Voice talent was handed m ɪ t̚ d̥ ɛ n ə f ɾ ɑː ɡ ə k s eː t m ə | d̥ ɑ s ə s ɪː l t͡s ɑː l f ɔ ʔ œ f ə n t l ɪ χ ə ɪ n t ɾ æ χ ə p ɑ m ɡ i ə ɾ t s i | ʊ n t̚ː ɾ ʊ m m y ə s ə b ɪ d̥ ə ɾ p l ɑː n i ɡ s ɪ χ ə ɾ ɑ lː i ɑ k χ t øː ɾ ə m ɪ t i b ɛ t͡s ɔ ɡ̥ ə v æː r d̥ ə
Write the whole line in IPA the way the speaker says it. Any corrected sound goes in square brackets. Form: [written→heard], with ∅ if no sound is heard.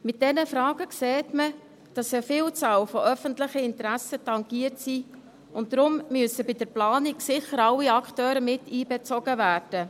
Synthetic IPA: m ɪ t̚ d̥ ɛ n ə f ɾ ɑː ɡ ə k s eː t m ə | d̥ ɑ s ə [s→f] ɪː l t͡s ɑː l f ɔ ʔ œ f ə n t l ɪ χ ə ɪ n t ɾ æ [χ→s] ə [p→t] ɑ [m→ŋ] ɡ i ə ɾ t s i | ʊ n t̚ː ɾ ʊ m m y ə s ə b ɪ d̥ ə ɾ p l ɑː n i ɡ s ɪ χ ə ɾ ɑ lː i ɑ k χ t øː ɾ ə m ɪ t [i→iː] b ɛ t͡s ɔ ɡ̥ ə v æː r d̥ ə

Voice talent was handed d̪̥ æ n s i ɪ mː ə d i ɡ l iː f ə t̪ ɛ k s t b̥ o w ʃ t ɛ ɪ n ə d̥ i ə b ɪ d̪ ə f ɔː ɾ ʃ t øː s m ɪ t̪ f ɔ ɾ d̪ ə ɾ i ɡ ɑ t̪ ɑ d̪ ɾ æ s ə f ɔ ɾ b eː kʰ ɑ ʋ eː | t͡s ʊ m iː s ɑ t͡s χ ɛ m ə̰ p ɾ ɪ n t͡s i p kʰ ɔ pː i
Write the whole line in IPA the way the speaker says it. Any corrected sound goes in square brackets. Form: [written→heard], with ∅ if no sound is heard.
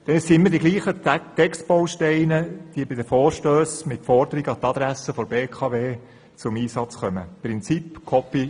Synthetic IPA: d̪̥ [æ→ɛ] n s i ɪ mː ə d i ɡ l iː [f→χ] ə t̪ ɛ k s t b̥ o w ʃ t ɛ ɪ n ə d̥ i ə b ɪ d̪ ə f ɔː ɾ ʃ t øː s m ɪ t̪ f ɔ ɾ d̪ ə ɾ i ɡ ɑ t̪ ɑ d̪ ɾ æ s ə f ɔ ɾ b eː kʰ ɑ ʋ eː | t͡s ʊ m iː s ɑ t͡s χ [ɛ→œ] m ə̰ p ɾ ɪ n t͡s i p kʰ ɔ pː i

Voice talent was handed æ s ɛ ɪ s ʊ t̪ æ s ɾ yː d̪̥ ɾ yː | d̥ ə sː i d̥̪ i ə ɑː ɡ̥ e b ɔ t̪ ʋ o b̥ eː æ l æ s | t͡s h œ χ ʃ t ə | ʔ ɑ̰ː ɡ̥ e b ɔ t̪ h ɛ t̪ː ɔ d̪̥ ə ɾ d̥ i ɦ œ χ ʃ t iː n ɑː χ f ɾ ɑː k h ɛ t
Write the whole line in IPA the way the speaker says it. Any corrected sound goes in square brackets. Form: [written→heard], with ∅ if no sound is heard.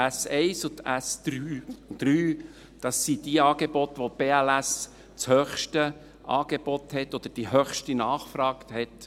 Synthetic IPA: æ s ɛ ɪ s ʊ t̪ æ s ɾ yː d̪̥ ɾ yː | d̥ [ə→ɑ] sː i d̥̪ i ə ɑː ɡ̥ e b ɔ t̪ ʋ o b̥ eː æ l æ s | t͡s h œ χ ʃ t ə | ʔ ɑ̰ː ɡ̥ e b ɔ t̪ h ɛ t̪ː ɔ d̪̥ ə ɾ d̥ i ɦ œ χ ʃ t [iː→i] n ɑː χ f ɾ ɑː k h ɛ t

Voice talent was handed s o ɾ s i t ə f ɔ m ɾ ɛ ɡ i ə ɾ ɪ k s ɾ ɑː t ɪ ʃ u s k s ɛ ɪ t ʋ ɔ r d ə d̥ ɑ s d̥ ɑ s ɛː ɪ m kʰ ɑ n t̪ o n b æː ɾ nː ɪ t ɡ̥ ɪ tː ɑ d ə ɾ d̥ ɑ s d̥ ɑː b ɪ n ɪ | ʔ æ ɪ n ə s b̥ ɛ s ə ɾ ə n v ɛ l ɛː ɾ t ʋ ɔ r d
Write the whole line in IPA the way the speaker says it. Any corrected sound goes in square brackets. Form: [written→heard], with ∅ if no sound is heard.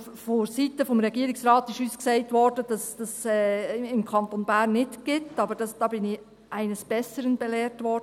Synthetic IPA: [s→f] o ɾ s i t ə f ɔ m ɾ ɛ ɡ i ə ɾ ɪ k s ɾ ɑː t ɪ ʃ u s k s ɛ ɪ t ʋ ɔ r d ə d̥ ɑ s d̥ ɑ s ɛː ɪ m kʰ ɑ n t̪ o n b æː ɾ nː ɪ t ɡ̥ ɪ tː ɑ [d→b] ə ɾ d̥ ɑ s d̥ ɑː b ɪ n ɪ | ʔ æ ɪ n ə s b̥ ɛ s ə ɾ ə n [v→b] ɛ l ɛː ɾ t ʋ ɔ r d

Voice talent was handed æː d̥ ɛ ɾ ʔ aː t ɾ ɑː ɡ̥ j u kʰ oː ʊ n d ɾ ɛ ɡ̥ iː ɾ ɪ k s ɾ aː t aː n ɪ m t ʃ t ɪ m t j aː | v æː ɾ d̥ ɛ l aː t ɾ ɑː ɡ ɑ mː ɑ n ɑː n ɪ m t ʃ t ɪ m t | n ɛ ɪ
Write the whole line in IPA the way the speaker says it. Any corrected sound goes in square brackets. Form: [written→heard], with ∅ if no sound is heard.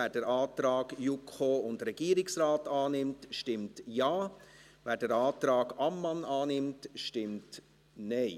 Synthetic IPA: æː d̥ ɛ ɾ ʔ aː t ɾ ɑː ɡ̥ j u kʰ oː ʊ n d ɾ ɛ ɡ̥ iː ɾ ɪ k s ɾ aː t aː n ɪ m t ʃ t ɪ m t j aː | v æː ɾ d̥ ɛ [l→ɾ] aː t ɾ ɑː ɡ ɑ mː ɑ n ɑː n ɪ m t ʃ t ɪ m t | n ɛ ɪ

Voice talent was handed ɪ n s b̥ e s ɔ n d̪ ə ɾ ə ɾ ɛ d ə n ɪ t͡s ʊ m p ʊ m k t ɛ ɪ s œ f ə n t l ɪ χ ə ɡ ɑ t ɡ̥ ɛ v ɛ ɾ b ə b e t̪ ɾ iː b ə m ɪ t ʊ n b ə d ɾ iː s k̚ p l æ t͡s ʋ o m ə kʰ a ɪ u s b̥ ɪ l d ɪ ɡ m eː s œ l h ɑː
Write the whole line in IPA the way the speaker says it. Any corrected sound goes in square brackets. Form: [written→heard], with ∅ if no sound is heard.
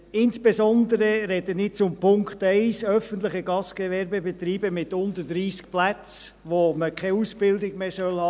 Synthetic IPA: ɪ n s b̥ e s ɔ n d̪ ə ɾ ə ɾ ɛ d ə n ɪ t͡s ʊ m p ʊ [m→ŋ] k t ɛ ɪ s œ f ə n t l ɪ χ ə ɡ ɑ [t→s] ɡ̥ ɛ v ɛ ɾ b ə b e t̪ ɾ iː b ə m ɪ t ʊ n [b→d] ə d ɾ iː s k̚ p l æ t͡s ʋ o m ə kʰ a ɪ u s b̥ ɪ l d ɪ ɡ m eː s œ l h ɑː

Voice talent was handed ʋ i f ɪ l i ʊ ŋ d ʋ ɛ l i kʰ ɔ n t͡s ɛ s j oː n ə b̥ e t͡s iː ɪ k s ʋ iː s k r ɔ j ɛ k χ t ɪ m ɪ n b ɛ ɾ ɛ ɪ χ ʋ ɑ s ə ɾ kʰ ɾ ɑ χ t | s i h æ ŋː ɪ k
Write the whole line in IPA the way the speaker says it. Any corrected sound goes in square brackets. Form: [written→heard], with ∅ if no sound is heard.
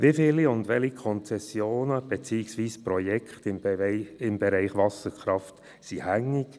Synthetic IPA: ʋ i f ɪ l i ʊ [ŋ→n] d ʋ ɛ l i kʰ ɔ n t͡s ɛ s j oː n ə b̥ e t͡s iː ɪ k s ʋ iː s [k→p] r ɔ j ɛ k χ t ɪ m ɪ [n→m] b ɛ ɾ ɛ ɪ χ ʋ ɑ s ə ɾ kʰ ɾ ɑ [χ→f] t | s i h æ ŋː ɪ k

